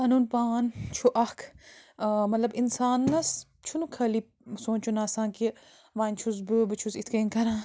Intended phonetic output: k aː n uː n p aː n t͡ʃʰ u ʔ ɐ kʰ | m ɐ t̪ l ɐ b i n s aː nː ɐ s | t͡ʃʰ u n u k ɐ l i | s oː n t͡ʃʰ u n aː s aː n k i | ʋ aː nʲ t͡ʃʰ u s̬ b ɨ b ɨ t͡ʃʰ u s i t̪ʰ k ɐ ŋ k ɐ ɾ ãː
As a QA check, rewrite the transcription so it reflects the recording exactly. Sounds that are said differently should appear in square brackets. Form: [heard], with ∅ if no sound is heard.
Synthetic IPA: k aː n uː n p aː n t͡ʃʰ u ʔ ɐ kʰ | m ɐ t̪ l ɐ b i n s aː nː ɐ s | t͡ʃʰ u n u [kʰ] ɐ l i | s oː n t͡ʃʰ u n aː s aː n k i | ʋ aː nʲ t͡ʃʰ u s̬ b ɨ b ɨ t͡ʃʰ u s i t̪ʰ k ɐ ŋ k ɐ ɾ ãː